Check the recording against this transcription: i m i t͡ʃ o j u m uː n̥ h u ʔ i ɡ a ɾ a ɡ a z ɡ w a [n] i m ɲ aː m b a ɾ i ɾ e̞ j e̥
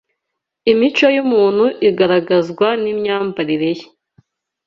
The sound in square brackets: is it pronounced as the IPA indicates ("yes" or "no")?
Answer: yes